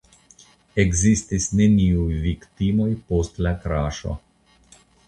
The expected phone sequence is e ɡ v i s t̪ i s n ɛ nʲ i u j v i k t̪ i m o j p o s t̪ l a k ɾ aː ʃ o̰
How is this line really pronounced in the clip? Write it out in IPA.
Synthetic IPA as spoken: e ɡ z i s t̪ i s n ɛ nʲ i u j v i k t̪ i m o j p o s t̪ l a k ɾ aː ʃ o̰